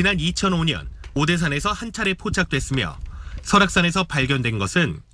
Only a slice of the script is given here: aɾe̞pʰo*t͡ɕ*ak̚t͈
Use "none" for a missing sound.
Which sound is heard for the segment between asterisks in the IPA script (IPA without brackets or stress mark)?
t͡ɕʰ